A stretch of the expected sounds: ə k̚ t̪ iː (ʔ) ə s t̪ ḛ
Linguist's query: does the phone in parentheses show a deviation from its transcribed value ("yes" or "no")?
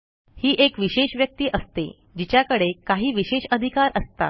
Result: no